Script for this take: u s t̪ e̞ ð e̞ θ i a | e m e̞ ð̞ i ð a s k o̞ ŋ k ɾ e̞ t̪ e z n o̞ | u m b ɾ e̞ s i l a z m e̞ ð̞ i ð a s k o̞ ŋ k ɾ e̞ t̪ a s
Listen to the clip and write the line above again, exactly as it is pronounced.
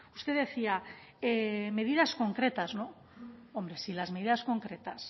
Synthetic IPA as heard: u s t̪ e̞ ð e̞ θ i a | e m e̞ ð̞ i ð a s k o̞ ŋ k ɾ e̞ t̪ a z n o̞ | o m b ɾ e̞ s i l a z m e̞ ð̞ i ð a s k o̞ ŋ k ɾ e̞ t̪ a s